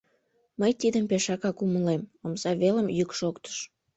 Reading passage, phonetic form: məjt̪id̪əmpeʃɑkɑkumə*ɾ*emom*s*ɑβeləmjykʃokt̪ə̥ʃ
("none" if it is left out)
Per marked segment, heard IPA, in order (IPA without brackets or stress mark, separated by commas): l, z